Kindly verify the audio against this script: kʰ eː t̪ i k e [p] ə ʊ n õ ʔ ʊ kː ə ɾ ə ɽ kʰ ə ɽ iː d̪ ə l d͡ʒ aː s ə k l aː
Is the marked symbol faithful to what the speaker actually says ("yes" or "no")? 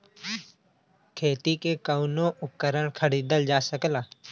no